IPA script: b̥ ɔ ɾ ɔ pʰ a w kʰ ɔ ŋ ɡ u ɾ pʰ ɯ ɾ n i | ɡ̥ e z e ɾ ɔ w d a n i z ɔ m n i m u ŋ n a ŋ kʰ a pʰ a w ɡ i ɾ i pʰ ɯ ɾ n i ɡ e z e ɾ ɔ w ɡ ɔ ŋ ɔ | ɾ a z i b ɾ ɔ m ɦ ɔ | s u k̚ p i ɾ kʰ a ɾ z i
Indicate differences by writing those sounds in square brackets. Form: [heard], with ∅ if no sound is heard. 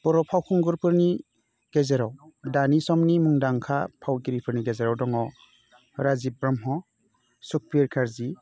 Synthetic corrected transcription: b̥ ɔ ɾ ɔ pʰ a w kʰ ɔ ŋ ɡ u ɾ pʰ ɯ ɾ n i | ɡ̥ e z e ɾ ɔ w d a n i [s] ɔ m n i m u ŋ [d] a ŋ kʰ a pʰ a w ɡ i ɾ i pʰ ɯ ɾ n i ɡ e z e ɾ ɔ w [d] ɔ ŋ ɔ | ɾ a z i b ɾ ɔ m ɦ ɔ | s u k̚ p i ɾ kʰ a ɾ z i